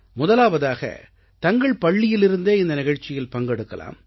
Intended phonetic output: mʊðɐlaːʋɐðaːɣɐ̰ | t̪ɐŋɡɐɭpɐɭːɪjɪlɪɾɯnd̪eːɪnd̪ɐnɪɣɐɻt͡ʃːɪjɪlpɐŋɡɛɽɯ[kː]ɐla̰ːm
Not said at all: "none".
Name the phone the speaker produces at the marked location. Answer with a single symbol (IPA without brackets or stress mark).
kː